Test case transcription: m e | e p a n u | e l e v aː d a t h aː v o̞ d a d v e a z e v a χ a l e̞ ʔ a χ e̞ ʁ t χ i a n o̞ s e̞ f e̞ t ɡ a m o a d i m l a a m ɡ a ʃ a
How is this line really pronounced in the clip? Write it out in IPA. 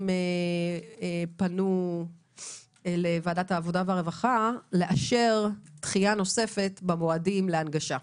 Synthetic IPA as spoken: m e | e p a n u | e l e v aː d a t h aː v o̞ d a v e a ʁ e v a χ a l e̞ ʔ a ʃ e̞ ʁ t χ i a n o̞ s e̞ f e̞ t b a m o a d i m l e a n ɡ a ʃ a

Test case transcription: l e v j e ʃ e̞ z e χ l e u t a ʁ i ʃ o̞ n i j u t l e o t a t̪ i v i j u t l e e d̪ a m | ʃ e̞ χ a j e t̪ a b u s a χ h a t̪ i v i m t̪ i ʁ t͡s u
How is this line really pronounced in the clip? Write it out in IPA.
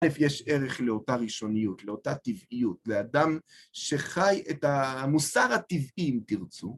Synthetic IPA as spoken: l e f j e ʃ e̞ ʁ e χ l e o t a ʁ i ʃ o̞ n i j u t l e o t a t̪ i v i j u t l e a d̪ a m | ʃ e̞ χ a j e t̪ a m u s a ʁ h a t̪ i v i m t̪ i ʁ t͡s u

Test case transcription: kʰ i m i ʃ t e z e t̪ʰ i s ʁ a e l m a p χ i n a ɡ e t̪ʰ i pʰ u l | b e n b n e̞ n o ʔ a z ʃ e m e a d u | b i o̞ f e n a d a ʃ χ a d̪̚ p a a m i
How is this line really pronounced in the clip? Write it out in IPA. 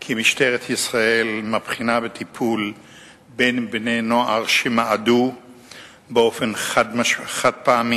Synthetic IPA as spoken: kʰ i m i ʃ t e ʁ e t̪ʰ i s ʁ a e l m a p χ i n a b e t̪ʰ i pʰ u l | b e n b n e̞ n o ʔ a ʁ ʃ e m a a d u | b e o̞ f e n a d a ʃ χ a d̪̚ p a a m i

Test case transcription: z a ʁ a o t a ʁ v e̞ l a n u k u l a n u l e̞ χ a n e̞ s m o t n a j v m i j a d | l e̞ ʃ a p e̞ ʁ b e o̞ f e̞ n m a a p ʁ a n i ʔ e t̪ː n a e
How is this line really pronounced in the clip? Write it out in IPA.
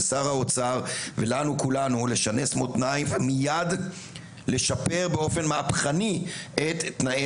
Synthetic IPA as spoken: s a ʁ a o t͡s a ʁ v e̞ l a n u k u l a n u l e̞ ʃ a n e̞ s m o t n a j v m i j a d | l e̞ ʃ a p e̞ ʁ b e o̞ f e̞ n m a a p χ a n i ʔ e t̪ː n a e

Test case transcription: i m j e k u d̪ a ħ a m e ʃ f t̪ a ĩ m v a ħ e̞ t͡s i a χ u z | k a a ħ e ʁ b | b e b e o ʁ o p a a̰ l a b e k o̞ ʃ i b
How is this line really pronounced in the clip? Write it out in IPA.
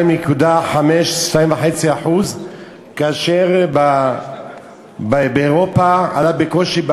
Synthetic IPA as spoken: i m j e k u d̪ a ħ a m e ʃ ʃ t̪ a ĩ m v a ħ e̞ t͡s i a ħ u z | k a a ʃ e ʁ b | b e b e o ʁ o p a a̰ l a b e k o̞ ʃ i b

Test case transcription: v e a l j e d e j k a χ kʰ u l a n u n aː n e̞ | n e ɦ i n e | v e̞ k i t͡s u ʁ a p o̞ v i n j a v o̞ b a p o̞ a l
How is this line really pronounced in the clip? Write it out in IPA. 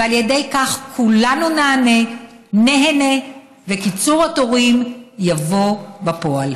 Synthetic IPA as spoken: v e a l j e d e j k a χ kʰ u l a n u n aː n e̞ | n e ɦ e n e | v e̞ k i t͡s u ʁ a t o̞ ʁ i m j a v o̞ b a p o̞ a l

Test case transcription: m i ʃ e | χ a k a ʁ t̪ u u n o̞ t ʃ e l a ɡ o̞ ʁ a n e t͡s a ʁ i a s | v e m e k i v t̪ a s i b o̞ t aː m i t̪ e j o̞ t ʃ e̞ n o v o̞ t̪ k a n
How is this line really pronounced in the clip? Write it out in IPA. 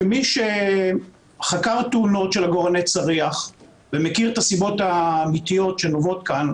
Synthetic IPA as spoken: m i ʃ e | χ a k a ʁ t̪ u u n o̞ t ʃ e l a ɡ o̞ ʁ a n e t͡s a ʁ i a χ | v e m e k i ʁ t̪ a s i b o̞ t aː m i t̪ i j o̞ t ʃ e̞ n o v o̞ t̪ k a n

